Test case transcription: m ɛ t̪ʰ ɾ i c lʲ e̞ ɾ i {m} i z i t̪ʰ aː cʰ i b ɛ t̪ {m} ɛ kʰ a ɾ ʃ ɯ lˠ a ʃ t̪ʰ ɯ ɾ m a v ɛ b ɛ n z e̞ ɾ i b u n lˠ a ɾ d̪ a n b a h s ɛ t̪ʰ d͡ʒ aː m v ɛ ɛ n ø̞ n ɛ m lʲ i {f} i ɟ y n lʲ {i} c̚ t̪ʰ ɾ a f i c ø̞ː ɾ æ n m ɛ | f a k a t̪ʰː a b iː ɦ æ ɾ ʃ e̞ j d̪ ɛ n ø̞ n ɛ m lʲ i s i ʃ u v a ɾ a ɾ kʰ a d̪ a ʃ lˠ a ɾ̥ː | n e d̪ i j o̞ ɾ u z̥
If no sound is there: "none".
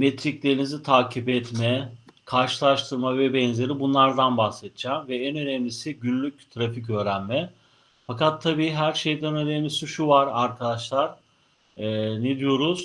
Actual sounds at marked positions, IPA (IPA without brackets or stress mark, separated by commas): n, m, s, y